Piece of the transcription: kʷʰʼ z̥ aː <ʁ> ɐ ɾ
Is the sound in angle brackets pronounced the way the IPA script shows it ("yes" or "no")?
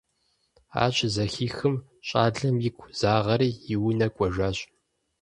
yes